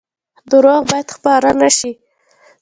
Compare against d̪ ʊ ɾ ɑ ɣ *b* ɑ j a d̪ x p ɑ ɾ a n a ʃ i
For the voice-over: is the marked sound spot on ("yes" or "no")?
yes